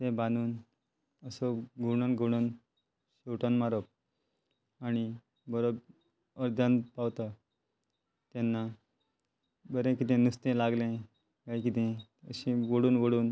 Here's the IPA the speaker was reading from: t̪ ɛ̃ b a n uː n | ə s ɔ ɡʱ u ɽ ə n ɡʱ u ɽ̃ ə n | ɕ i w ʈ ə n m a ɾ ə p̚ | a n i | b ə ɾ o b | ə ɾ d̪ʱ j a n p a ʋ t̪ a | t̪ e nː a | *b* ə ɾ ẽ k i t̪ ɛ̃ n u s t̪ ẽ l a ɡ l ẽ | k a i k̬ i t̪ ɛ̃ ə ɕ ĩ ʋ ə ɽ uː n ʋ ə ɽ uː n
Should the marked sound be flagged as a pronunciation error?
no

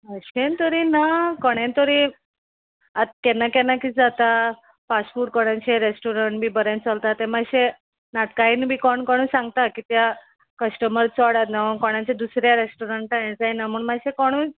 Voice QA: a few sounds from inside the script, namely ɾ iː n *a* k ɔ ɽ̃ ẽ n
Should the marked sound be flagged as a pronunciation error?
no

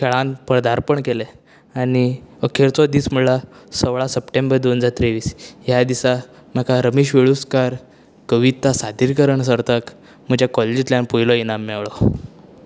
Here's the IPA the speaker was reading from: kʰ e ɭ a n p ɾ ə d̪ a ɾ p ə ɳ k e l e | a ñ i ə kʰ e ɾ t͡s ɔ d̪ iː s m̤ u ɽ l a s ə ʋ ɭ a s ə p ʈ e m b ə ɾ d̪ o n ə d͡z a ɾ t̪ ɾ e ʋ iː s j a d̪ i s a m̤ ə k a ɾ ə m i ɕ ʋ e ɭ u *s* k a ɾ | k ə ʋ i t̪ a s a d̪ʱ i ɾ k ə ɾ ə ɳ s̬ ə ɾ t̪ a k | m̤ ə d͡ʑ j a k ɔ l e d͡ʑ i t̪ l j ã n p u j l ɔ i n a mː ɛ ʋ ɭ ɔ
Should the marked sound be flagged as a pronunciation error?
no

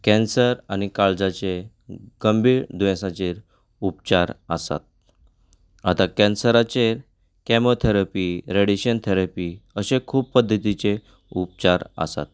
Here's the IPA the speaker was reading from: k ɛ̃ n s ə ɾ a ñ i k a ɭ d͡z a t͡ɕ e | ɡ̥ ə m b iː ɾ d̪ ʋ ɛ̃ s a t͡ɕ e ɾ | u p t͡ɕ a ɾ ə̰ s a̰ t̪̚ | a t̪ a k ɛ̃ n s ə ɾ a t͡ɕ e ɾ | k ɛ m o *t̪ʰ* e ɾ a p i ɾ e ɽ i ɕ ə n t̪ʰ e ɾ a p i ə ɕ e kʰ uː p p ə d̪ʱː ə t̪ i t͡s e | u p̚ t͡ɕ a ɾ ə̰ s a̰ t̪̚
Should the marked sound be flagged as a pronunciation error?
no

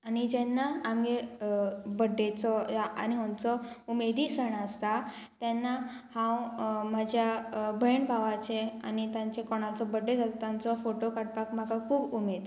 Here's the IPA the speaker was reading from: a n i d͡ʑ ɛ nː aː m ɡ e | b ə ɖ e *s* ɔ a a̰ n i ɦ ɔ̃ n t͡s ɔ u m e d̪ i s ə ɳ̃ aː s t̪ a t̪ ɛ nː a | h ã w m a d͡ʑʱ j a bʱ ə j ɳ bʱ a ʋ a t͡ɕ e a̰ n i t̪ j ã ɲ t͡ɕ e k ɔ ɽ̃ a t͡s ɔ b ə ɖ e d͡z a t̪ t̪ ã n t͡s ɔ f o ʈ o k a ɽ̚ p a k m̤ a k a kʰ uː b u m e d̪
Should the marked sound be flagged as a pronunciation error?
yes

